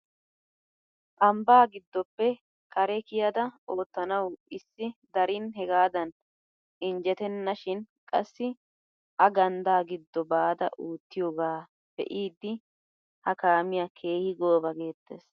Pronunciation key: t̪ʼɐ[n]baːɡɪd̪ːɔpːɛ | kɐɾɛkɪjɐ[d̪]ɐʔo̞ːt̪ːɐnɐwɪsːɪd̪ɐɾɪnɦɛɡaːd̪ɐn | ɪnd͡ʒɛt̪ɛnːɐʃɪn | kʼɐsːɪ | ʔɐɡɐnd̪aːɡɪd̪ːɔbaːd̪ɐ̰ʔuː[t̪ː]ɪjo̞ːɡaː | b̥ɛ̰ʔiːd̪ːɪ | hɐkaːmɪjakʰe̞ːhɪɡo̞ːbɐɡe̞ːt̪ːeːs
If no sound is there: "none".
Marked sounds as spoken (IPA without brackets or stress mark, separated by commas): m, d̪, t̪ː